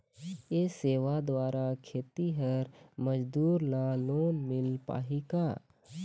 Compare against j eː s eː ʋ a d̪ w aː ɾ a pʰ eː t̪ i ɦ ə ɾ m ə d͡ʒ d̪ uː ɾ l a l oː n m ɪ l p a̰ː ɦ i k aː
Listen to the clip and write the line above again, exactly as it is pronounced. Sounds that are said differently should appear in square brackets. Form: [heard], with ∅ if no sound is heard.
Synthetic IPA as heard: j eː s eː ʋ a d̪ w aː ɾ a [kʰ] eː t̪ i ɦ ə ɾ m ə d͡ʒ d̪ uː ɾ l a l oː n m ɪ l p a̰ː ɦ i k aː